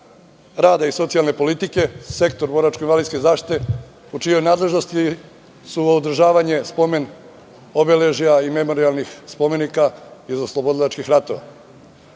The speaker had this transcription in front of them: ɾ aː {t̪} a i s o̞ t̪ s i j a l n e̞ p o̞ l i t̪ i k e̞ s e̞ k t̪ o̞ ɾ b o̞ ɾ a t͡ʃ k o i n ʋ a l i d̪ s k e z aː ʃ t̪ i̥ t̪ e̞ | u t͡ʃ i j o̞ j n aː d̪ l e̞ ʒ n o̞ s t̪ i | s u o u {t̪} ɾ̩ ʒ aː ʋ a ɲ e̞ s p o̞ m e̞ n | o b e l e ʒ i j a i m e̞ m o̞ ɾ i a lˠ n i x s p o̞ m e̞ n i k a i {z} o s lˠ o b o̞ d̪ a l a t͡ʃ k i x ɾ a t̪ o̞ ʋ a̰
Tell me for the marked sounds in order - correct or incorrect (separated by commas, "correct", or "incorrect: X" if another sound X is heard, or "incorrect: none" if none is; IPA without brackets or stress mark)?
incorrect: d̪, incorrect: d̪, correct